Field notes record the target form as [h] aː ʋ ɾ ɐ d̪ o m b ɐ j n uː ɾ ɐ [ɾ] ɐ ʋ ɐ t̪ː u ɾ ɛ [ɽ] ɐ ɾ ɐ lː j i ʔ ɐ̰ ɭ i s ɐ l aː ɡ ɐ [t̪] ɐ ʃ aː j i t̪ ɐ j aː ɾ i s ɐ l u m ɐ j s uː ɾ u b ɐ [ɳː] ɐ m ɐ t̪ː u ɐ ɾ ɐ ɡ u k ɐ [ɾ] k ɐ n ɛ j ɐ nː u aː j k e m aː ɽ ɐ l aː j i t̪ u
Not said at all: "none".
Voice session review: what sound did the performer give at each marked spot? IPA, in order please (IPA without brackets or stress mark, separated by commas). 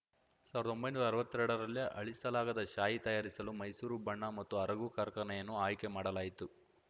s, ɾ, ɽ, d̪, ɳː, ɾ